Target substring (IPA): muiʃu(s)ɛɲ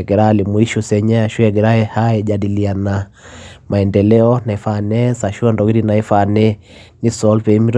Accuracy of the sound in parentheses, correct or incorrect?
correct